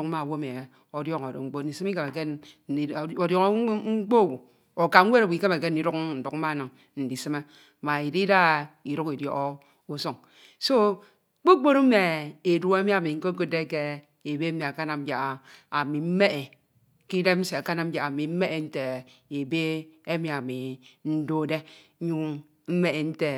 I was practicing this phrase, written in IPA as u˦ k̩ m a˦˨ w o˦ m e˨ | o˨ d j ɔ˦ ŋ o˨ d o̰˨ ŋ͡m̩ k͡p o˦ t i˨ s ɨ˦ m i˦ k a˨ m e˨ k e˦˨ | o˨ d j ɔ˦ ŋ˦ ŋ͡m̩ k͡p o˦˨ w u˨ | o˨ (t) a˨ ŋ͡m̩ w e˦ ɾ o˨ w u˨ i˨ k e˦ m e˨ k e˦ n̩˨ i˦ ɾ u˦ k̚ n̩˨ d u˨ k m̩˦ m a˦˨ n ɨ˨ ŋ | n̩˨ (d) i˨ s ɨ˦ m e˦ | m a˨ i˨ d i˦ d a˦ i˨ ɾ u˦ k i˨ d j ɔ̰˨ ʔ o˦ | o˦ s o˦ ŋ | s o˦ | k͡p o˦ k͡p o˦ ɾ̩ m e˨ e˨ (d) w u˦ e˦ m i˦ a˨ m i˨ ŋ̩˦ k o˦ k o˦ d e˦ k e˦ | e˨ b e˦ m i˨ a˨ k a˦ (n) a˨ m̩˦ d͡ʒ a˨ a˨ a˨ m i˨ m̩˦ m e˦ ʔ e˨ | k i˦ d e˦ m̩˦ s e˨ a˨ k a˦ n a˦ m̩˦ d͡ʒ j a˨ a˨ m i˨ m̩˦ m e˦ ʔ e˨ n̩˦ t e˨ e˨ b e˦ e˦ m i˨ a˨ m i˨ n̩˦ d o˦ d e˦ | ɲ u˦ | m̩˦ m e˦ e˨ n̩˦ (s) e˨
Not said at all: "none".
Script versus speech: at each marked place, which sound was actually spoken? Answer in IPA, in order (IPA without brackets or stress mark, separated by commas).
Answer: k, d, d, n, t